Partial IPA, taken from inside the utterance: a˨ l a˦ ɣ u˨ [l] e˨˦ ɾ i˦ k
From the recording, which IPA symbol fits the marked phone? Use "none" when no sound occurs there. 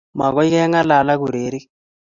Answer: ɾ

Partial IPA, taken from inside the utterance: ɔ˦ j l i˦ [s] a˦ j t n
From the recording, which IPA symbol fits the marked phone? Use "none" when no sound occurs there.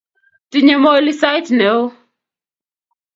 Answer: s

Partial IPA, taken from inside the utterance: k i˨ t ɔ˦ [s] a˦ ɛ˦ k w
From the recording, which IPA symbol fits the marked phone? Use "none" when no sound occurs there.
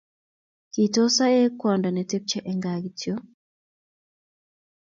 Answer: s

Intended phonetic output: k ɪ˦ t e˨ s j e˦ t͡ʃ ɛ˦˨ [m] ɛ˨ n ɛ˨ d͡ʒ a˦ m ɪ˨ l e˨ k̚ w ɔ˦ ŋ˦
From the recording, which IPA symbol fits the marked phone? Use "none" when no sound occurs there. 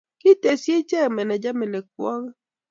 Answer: m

